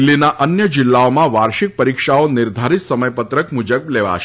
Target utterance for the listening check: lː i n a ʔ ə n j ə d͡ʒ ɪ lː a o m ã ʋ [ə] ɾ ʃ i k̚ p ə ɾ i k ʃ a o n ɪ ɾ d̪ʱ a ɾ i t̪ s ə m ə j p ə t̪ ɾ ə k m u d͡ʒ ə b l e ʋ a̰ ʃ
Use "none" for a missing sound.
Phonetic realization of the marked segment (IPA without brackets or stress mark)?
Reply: a